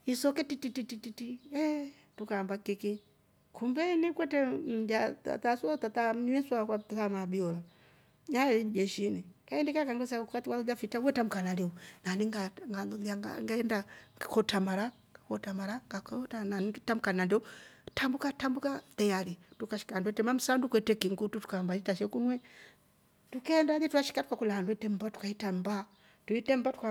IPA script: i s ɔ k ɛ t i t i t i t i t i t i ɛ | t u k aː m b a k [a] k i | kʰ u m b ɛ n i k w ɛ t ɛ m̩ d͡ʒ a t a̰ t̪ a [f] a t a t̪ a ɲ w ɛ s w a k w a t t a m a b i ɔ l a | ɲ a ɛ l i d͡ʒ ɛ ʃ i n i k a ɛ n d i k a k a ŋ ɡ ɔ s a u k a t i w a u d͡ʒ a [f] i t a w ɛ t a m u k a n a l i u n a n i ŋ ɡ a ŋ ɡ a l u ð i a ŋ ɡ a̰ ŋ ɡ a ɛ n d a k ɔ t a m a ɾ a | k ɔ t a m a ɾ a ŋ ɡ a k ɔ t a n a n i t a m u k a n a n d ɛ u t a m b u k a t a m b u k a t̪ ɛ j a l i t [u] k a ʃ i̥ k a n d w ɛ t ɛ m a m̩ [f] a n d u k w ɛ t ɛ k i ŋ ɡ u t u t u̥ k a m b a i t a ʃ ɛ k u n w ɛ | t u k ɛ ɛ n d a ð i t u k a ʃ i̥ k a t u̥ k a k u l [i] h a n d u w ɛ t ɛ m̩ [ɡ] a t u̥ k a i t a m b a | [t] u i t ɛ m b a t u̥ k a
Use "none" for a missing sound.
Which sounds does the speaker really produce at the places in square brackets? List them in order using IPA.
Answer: i, s, f, u, s, a, b, t

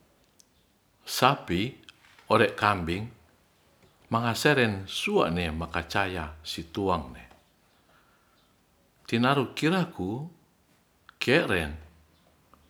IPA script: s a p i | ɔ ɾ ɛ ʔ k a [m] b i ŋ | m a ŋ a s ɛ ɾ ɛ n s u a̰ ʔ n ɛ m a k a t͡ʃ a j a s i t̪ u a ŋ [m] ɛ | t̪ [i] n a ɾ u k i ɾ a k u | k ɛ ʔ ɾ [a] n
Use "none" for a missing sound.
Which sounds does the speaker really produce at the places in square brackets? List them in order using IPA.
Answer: m, n, i, ɛ

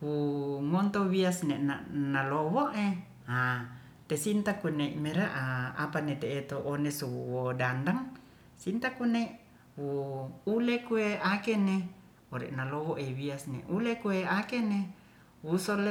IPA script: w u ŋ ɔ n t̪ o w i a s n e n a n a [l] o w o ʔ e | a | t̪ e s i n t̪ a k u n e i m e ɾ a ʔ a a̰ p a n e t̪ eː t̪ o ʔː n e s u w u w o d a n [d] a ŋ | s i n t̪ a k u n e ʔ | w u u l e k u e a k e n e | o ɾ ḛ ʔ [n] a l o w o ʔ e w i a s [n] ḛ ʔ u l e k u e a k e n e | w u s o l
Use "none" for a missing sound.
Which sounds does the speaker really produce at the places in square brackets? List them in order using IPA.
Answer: l, d, n, n

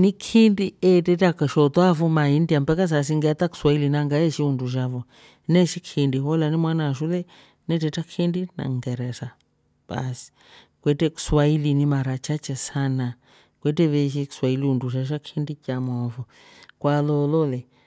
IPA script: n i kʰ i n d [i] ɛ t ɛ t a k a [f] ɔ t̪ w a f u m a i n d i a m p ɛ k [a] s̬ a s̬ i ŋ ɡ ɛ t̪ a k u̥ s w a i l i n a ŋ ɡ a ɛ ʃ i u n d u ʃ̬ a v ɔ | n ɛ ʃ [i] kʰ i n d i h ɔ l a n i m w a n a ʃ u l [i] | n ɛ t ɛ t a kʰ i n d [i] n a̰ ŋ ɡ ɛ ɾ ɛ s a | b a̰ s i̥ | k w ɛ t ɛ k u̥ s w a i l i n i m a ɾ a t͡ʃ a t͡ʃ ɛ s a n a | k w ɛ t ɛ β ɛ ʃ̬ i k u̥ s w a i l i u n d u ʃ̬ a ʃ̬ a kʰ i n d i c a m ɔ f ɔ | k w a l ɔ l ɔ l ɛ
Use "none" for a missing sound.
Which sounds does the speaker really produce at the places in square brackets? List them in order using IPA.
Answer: i, ʃ, a, i, ɛ, i

